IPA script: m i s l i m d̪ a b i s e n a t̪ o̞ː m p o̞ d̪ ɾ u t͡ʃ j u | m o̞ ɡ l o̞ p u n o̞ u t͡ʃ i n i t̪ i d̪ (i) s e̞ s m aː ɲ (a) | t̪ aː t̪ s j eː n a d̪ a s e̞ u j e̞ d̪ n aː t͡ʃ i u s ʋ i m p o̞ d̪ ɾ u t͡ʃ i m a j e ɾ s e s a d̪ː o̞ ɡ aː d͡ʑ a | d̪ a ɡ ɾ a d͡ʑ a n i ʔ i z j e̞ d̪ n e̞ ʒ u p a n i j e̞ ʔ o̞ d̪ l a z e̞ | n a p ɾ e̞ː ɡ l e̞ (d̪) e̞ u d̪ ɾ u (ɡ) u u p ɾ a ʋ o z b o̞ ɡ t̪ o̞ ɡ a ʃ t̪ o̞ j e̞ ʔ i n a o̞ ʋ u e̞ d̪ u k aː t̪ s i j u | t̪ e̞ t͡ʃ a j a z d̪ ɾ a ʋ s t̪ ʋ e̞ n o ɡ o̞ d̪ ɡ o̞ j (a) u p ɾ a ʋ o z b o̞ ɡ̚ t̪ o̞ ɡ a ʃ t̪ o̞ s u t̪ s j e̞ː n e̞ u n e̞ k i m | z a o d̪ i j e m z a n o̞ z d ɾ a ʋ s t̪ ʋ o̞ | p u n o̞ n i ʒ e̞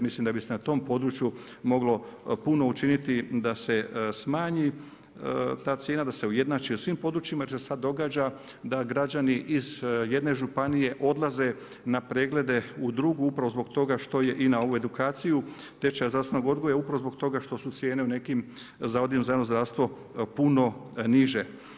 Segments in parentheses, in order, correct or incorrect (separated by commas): incorrect, incorrect, correct, correct, correct